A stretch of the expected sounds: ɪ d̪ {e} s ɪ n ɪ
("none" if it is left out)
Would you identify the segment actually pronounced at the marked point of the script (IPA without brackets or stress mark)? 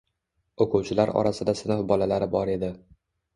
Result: a